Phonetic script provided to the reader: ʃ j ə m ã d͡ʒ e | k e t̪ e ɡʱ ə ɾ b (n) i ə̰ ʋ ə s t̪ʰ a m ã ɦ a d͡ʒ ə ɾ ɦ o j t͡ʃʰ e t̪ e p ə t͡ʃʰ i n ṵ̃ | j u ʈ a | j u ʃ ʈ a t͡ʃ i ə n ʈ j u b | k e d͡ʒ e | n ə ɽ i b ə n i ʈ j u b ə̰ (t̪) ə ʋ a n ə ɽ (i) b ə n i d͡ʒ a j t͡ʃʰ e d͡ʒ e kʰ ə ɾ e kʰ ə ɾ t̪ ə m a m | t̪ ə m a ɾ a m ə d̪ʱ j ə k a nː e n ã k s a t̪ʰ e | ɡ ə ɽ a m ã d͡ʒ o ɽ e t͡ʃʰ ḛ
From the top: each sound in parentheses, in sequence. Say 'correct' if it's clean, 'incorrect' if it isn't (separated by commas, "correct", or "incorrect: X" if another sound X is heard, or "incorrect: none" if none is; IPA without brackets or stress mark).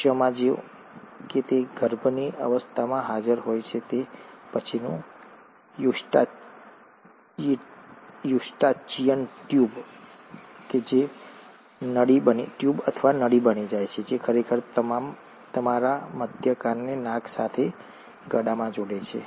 correct, incorrect: t̪ʰ, correct